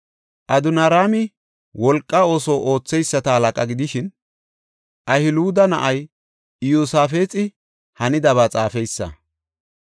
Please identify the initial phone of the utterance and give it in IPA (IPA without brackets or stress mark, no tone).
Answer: ʔ